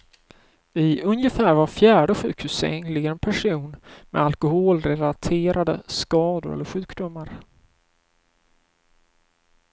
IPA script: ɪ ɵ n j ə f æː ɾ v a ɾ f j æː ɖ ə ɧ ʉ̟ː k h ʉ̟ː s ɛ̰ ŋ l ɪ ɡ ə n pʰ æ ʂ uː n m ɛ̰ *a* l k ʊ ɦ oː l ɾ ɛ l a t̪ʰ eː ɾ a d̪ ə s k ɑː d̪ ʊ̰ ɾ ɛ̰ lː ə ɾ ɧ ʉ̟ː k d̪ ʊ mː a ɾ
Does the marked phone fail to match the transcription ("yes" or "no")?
no